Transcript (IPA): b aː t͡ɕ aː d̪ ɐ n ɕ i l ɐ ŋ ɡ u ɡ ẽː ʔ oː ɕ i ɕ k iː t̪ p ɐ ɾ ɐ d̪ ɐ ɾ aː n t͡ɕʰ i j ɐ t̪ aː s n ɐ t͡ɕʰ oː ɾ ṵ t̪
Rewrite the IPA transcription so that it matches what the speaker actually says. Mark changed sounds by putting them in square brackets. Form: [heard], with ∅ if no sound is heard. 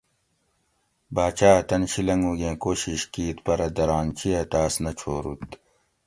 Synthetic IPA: b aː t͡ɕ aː [t̪] ɐ n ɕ i l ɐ ŋ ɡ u ɡ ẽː [k] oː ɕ i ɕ k iː t̪ p ɐ ɾ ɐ d̪ ɐ ɾ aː n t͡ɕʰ i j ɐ t̪ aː s n ɐ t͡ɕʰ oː ɾ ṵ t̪